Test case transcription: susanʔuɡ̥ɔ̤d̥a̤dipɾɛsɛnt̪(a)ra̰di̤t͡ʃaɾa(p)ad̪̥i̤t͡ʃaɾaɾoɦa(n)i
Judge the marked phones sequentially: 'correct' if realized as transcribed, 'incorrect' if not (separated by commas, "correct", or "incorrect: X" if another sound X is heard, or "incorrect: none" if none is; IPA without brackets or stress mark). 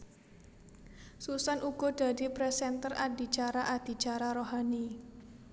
incorrect: ə, incorrect: ʔ, correct